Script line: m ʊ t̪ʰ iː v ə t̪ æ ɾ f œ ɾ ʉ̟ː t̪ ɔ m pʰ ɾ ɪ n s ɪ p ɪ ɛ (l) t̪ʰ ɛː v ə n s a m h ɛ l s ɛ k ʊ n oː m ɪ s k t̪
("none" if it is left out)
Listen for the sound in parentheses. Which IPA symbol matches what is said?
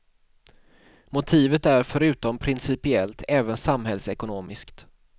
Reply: l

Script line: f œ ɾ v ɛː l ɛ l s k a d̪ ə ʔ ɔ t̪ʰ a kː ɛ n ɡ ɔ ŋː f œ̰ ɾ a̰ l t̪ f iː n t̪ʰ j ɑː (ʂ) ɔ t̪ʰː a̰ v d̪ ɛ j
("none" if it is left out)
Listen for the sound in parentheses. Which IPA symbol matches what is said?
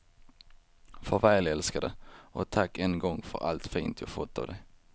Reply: f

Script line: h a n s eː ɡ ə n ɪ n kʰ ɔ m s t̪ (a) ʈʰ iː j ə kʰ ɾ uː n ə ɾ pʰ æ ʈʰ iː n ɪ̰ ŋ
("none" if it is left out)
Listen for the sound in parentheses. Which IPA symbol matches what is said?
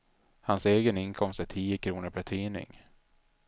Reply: æ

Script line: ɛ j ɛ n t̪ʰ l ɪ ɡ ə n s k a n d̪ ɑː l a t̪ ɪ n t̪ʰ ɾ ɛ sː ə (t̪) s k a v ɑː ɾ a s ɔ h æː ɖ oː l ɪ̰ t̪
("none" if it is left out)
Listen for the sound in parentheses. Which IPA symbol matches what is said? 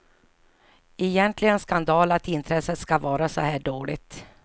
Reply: t̪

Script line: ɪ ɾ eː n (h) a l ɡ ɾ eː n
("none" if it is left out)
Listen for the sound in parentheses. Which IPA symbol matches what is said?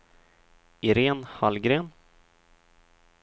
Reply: h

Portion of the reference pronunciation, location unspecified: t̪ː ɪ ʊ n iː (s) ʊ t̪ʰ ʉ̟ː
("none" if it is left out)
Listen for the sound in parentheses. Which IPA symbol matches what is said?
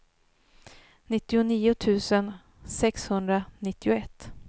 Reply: none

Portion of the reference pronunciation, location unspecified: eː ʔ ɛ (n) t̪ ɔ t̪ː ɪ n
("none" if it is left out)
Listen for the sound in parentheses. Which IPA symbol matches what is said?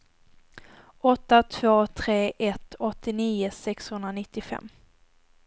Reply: none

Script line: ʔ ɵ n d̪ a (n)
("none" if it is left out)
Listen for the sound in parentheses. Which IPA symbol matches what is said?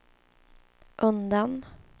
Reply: n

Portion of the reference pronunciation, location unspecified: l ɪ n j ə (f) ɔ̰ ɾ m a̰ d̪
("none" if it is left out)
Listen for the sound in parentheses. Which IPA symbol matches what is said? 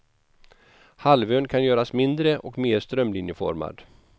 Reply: f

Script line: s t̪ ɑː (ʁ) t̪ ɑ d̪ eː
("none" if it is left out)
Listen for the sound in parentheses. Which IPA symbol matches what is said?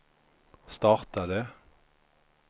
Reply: ʁ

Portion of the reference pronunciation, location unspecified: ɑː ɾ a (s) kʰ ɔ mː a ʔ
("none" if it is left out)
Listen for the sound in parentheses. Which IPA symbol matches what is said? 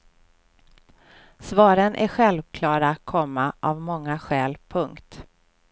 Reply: none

